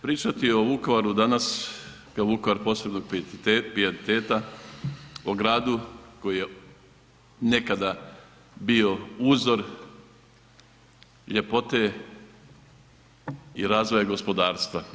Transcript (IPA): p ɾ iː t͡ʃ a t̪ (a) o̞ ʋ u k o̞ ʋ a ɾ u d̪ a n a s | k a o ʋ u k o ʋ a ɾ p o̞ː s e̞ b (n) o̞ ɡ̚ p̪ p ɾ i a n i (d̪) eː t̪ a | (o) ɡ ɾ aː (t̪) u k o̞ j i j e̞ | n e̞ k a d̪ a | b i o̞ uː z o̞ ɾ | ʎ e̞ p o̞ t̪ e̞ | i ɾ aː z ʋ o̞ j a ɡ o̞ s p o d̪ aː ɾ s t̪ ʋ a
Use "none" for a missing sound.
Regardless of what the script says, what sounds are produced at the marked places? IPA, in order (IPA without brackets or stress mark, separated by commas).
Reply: i, n, t̪, o, d̪